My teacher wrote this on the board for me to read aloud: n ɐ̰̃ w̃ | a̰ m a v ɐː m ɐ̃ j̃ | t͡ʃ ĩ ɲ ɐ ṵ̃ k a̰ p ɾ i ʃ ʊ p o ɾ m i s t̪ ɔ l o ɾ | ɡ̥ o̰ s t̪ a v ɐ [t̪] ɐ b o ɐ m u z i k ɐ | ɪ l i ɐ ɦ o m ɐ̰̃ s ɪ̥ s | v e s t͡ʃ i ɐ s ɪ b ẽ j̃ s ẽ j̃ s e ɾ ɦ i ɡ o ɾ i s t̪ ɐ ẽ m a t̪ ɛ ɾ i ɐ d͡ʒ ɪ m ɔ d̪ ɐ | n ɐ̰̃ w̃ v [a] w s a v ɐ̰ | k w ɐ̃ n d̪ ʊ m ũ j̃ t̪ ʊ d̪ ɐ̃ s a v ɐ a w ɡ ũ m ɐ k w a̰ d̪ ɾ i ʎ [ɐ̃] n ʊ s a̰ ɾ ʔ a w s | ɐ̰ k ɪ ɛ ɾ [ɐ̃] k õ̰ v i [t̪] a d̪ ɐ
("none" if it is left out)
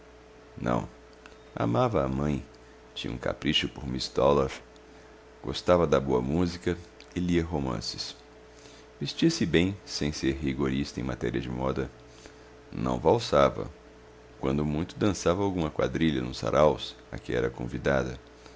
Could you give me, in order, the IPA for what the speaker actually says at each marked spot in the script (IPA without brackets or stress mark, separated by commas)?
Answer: d̪, a, ɐ, ɐ, d̪